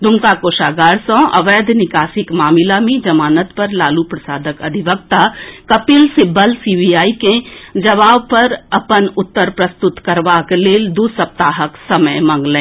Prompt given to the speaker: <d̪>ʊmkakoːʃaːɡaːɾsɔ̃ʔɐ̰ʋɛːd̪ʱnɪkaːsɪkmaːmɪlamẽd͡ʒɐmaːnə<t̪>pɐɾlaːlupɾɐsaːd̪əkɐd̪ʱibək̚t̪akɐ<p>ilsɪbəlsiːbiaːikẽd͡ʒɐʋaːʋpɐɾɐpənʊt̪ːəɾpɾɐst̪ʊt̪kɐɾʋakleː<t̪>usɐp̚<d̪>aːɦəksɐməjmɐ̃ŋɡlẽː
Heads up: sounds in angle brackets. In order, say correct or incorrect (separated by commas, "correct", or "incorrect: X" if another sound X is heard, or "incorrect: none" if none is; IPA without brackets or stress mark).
correct, correct, correct, incorrect: d̪, incorrect: t̪